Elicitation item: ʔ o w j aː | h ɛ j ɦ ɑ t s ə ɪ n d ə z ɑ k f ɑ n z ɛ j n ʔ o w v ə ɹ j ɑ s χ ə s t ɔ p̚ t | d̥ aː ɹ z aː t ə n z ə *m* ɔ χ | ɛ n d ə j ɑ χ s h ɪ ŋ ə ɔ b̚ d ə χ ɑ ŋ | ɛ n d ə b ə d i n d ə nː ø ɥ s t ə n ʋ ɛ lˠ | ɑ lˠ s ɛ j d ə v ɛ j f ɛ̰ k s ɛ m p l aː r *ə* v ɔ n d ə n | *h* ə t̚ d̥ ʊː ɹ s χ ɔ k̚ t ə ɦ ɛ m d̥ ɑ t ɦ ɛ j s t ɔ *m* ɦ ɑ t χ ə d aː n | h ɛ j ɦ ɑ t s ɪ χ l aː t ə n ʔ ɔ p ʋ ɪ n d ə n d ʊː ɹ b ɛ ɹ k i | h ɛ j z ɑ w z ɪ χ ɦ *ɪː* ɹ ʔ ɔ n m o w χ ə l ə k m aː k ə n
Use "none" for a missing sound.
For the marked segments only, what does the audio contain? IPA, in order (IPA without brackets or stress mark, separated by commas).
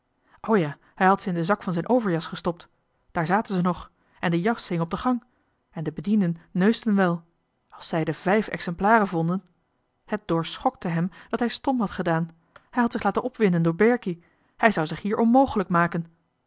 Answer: n, ə, h, m, iː